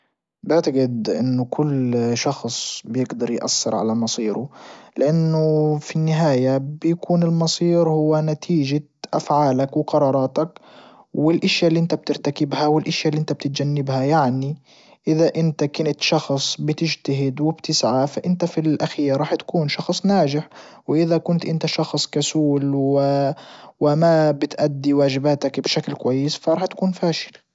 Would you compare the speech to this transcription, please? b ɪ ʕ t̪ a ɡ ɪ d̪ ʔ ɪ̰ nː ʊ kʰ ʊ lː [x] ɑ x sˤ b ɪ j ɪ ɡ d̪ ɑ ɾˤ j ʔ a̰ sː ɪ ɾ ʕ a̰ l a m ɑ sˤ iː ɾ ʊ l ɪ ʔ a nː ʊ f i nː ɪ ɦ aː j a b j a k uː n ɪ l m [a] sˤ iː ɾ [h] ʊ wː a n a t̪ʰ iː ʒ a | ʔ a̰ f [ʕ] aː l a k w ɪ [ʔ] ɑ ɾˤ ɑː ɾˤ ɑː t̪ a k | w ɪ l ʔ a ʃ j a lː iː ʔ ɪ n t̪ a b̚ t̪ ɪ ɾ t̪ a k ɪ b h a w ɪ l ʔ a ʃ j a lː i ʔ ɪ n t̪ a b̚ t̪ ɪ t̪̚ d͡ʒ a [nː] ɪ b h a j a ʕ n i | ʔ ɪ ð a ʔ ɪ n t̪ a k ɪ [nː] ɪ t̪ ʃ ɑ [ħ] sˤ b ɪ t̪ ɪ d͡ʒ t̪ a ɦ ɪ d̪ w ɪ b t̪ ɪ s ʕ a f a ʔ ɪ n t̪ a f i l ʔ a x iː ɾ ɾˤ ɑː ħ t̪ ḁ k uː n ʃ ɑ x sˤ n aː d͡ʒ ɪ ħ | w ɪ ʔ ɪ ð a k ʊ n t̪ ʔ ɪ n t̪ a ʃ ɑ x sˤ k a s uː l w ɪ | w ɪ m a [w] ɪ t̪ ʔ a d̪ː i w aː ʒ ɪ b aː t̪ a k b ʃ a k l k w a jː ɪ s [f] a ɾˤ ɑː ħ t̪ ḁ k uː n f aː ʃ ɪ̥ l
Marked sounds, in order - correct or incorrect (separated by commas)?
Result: incorrect, incorrect, correct, correct, incorrect, correct, incorrect, incorrect, incorrect, correct